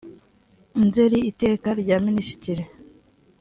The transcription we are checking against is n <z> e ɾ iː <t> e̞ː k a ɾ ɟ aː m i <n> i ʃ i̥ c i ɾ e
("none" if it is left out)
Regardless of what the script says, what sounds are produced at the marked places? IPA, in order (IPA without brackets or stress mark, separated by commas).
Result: z, t, n